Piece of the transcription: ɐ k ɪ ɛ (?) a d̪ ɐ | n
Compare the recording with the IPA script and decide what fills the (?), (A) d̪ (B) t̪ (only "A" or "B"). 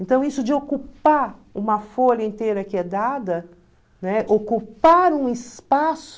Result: A